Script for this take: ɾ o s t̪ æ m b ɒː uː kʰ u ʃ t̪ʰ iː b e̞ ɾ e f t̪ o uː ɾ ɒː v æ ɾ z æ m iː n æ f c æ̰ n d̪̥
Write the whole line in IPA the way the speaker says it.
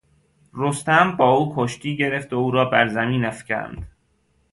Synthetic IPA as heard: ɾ o s t̪ æ m b ɒː uː kʰ o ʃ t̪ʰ iː ɟ e̞ ɾ e f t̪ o uː ɾ ɒː b æ ɾ z æ m iː n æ f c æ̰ n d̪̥